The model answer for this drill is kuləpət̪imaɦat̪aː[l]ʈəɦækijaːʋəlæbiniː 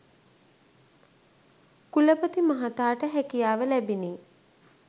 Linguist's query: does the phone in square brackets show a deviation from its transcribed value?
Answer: yes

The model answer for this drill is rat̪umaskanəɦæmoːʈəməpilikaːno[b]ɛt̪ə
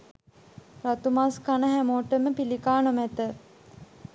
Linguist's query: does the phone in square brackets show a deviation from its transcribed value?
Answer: yes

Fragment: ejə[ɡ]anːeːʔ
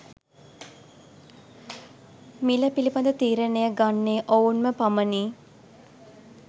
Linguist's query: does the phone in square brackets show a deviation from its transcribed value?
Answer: no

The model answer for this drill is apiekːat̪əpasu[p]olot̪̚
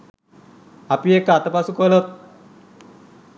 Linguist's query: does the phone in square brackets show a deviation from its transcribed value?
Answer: yes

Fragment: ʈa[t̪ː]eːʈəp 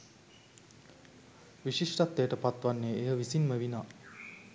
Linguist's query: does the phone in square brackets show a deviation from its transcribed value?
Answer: no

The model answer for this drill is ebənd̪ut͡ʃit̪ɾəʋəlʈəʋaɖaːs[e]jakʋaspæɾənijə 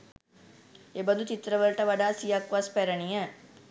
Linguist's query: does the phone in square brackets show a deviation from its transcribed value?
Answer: yes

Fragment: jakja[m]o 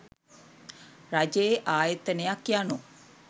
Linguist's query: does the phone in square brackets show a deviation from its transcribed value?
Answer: yes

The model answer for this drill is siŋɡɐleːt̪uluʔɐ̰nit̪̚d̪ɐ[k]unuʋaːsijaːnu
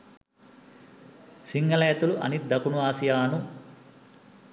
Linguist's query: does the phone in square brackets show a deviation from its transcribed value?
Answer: no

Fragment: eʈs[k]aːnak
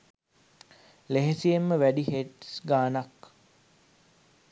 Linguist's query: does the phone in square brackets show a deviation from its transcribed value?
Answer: yes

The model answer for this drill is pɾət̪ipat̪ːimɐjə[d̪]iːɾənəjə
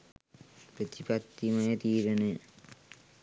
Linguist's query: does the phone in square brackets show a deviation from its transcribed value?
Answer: yes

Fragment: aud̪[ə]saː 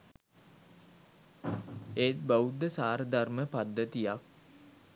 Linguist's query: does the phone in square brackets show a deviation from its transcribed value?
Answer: no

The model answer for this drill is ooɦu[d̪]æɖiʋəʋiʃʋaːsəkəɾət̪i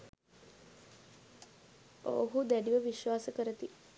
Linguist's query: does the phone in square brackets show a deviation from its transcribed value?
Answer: no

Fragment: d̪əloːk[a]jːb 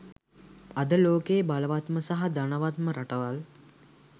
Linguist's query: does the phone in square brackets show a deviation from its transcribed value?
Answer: yes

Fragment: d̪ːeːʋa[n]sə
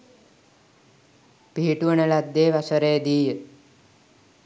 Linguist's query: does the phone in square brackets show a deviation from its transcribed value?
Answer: yes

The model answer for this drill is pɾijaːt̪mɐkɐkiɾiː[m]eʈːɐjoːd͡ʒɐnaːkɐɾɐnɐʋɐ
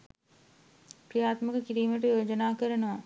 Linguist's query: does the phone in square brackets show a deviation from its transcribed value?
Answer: no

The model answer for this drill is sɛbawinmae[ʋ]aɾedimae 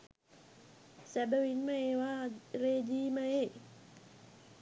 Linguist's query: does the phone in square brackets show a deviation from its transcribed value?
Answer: yes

